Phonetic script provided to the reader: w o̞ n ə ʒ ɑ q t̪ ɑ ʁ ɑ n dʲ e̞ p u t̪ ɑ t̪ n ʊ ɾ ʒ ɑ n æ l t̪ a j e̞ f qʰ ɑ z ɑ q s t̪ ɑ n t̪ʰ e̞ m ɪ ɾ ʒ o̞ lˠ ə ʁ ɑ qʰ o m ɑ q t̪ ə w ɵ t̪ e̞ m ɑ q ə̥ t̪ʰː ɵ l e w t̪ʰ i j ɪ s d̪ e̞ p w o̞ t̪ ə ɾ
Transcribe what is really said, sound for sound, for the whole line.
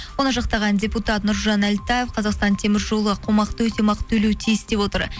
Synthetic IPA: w o̞ n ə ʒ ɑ q t̪ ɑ ʁ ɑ n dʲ e̞ p u t̪ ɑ t̪ n ʊ ɾ ʒ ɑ n æ l t̪ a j e̞ f qʰ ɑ z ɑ q s t̪ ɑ n t̪ʰ e̞ m ɪ ɾ ʒ o̞ lˠ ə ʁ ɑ qʰ o m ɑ q t̪ ə w ɵ t̪ e̞ m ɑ q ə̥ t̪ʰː ɵ l e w t̪ʰ i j ɪ s d̪ e̞ p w o̞ t̪ ə ɾ

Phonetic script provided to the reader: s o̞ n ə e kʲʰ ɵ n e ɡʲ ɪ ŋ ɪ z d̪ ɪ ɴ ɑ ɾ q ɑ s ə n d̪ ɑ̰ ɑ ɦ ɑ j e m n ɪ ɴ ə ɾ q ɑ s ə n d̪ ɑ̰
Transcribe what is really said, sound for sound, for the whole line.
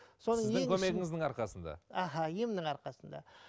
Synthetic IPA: s o̞ n ə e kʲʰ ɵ m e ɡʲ ɪ ŋ ɪ z d̪ ɪ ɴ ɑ ɾ q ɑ s ə n d̪ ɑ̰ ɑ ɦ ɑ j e m n ɪ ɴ ɑ ɾ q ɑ s ə n d̪ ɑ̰

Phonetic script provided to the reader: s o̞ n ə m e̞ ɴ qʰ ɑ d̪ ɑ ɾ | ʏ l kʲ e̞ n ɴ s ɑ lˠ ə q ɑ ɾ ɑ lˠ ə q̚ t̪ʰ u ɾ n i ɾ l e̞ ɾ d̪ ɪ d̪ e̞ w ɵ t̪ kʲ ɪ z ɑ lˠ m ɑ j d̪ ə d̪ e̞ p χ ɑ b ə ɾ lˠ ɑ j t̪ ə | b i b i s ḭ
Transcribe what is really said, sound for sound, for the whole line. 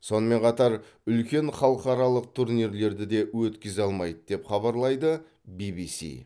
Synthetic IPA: s o̞ n ə m e̞ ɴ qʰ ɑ t̪ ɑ ɾ | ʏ l kʲ e̞ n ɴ χ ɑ lˠ ə q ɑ ɾ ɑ lˠ ə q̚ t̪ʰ u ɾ n i ɾ l e̞ ɾ d̪ ɪ d̪ e̞ w ɵ t̪ kʲ ɪ z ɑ lˠ m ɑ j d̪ ə d̪ e̞ p χ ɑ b ɑ ɾ lˠ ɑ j d̪ ə | b i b i s ḭ

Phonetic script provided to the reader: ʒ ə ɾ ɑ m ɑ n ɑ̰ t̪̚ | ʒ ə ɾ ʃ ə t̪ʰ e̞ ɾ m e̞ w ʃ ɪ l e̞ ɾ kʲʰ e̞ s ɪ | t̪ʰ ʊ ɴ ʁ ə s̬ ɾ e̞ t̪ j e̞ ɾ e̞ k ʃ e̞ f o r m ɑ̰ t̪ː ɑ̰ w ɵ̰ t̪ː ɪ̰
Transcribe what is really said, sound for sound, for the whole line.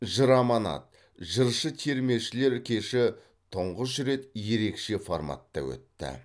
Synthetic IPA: ʒ ə ɾ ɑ m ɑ n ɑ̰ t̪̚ | ʒ ə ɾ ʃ ə t̪ʰ e̞ ɾ m e̞ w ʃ ɪ l e̞ ɾ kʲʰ e̞ ʃ ɪ | t̪ʰ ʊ ɴ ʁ ə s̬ ɾ e̞ t̪ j e̞ ɾ e̞ k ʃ e̞ f o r m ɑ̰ t̪ː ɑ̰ w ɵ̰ t̪ː ɪ̰

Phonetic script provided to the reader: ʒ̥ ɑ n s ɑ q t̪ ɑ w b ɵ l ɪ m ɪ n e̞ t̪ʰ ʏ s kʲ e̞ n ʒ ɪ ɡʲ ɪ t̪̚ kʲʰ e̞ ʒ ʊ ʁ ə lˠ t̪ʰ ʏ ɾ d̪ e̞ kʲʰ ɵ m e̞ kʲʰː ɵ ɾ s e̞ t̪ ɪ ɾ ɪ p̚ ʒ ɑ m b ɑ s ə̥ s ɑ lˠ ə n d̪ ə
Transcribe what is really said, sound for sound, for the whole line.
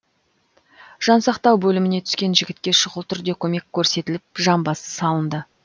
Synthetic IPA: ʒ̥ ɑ n s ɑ q t̪ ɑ w b ɵ l ɪ m ɪ n e̞ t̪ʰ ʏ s kʲ e̞ n ʒ ɪ ɡʲ ɪ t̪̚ kʲ e̞ ʃ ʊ ʁ ə lˠ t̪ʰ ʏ ɾ d̪ e̞ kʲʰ ɵ m e̞ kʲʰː ɵ ɾ s e̞ t̪ ɪ l ɪ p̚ ʒ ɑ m b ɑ s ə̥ s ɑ lˠ ə n d̪ ə

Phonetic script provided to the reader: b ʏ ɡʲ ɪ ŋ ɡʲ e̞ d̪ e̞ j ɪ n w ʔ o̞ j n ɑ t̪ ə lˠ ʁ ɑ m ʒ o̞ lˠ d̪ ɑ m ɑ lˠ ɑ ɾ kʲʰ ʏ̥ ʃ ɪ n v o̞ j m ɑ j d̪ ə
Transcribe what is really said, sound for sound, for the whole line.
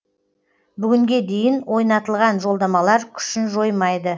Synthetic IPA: b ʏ ɡʲ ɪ ŋ ɡʲ e̞ d̪ e̞ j ɪ n w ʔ o̞ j n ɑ t̪ ə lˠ ʁ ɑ n ʒ o̞ lˠ d̪ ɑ m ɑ lˠ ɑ ɾ kʲʰ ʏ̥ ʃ ɪ n ʒ o̞ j m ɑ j d̪ ə

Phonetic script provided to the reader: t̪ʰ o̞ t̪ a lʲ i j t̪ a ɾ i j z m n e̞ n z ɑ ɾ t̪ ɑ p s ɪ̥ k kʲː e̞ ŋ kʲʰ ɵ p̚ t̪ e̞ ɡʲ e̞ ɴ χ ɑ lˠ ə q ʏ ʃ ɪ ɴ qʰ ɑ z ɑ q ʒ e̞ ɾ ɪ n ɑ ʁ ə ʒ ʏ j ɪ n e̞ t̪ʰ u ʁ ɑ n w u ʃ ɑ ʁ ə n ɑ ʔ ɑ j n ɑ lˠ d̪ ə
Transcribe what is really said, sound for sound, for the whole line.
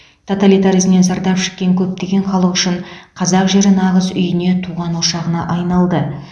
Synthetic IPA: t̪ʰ o̞ t̪ a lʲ i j t̪ a ɾ i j z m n e̞ n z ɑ ɾ d̪ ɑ p ʃ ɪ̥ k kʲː e̞ ŋ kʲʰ ɵ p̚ t̪ e̞ ɡʲ e̞ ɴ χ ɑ lˠ ə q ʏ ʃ ɪ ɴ qʰ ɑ z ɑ q ʒ e̞ ɾ ɪ n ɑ ʁ ə z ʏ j ɪ n e̞ t̪ʰ u ʁ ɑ n w o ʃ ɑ ʁ ə n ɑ ʔ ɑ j n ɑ lˠ d̪ ə

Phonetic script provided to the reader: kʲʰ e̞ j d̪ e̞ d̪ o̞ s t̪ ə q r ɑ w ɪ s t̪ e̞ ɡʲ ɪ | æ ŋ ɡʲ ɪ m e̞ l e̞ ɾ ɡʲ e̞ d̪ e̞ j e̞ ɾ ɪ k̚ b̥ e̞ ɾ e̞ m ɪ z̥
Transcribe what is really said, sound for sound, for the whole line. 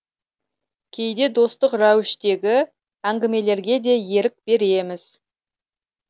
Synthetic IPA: kʲʰ e̞ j d̪ e̞ d̪ o̞ s t̪ ə q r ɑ w ɪ ʃ t̪ e̞ ɡʲ ɪ | æ ŋ ɡʲ ɪ m e̞ l e̞ ɾ ɡʲ e̞ d̪ e̞ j e̞ ɾ ɪ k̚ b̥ e̞ ɾ e̞ m ɪ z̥

